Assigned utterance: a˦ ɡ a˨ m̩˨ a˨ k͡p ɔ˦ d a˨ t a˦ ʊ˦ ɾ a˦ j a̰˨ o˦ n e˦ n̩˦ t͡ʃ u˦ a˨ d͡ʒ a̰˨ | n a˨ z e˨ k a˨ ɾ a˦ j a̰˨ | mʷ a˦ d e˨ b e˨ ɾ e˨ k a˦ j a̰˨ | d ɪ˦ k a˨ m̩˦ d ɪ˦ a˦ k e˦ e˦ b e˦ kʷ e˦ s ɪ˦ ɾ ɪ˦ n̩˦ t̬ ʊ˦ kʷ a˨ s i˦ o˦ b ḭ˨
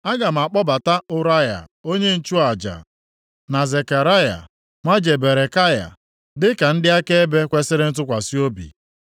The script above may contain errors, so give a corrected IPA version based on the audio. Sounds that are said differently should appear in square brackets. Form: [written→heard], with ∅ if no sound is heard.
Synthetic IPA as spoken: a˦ ɡ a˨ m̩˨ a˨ k͡p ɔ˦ [d→b] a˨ t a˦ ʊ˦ ɾ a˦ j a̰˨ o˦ [n→ɲ] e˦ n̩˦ t͡ʃ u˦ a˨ d͡ʒ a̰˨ | n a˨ z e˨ k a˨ ɾ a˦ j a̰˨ | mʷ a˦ [d→d͡ʒ] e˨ b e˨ ɾ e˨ k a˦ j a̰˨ | d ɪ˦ k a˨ [m̩˦→n̩˦] d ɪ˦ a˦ k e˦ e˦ b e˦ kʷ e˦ s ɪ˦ ɾ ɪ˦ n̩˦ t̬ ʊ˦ kʷ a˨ s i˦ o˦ b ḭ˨